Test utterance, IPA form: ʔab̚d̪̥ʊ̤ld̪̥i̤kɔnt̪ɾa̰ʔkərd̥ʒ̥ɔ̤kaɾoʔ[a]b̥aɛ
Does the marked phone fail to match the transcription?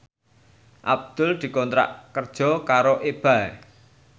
yes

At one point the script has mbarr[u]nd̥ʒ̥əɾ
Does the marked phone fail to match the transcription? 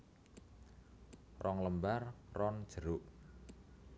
yes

